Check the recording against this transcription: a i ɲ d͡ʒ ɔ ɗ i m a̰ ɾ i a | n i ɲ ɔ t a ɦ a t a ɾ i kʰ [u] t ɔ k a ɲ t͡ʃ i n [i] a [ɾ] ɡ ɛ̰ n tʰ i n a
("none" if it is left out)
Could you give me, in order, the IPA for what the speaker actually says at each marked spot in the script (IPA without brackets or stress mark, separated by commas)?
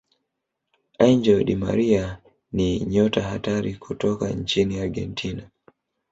u, i, ɾ